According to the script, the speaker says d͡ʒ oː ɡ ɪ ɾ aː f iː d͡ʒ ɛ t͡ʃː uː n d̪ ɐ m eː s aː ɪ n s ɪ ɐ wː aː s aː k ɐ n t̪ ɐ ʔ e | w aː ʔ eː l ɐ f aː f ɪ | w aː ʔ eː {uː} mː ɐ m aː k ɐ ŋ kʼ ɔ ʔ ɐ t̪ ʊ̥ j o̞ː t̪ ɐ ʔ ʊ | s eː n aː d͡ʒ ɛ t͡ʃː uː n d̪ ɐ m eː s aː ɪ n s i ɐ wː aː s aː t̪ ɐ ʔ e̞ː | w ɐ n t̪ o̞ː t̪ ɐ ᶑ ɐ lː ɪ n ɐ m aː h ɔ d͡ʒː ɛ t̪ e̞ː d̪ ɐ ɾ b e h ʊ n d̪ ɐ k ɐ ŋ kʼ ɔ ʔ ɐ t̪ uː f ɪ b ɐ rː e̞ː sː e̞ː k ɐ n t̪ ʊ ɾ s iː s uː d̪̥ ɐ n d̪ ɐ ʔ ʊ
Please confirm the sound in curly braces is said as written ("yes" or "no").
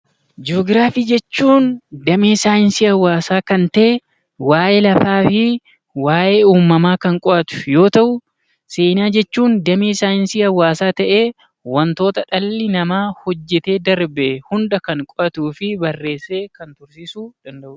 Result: yes